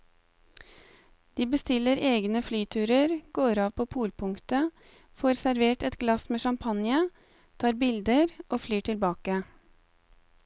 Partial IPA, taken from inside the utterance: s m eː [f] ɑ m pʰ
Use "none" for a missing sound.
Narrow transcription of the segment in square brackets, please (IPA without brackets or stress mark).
ʃ